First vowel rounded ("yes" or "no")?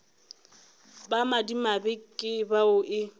no